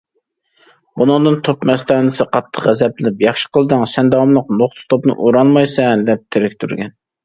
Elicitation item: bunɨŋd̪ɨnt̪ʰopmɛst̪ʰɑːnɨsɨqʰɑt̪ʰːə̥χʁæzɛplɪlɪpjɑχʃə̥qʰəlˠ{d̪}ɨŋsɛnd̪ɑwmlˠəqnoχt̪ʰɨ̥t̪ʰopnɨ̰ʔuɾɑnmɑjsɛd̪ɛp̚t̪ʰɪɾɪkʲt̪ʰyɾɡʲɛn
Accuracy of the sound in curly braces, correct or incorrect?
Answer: correct